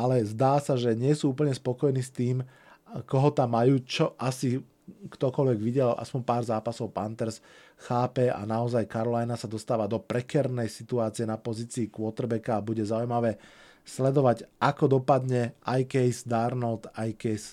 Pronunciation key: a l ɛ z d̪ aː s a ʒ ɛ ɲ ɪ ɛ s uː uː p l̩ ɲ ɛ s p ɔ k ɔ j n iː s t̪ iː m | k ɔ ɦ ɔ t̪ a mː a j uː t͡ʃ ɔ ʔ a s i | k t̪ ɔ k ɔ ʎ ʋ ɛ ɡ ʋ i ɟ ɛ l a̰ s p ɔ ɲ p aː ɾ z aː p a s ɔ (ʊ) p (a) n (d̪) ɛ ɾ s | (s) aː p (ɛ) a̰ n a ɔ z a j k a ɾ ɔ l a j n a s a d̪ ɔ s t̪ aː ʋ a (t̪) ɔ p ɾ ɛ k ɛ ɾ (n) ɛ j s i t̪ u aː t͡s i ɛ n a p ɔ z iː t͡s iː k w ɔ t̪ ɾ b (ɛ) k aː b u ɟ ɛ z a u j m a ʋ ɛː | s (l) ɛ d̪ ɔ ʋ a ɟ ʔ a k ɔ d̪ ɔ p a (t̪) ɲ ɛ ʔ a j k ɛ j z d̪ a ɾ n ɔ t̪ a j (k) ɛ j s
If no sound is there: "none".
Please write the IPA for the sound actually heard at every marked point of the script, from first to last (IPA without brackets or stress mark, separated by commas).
ʊ, a, t̪, x, ɛ, d̪, n, ɛ, l, d̪, k